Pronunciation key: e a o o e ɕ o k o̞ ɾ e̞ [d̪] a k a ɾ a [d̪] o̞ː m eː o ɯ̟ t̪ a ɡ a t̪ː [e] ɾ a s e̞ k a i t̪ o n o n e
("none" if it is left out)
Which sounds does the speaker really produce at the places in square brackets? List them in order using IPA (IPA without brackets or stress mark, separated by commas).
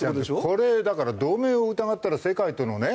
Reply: d̪, d̪, a